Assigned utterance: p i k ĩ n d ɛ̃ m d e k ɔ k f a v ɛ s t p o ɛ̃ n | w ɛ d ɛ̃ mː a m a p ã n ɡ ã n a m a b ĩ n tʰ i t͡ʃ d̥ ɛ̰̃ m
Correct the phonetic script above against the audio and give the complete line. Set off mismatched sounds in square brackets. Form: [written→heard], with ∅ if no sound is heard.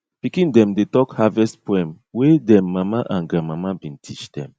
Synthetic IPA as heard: p i k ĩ n d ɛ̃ m d e [k→t] ɔ k [f→h] a v ɛ s t p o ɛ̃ [n→m] | w [ɛ→e] d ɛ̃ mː a m a [p→ʔ] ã n ɡ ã [n→m] a m a b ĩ n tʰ i t͡ʃ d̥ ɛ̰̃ m